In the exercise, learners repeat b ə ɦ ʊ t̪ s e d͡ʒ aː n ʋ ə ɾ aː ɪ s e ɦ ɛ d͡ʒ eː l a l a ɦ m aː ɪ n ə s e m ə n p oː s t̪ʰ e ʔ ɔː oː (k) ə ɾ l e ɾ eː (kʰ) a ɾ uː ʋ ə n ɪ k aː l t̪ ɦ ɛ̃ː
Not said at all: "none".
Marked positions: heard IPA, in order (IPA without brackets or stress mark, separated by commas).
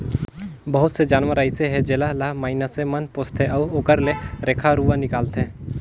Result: k, kʰ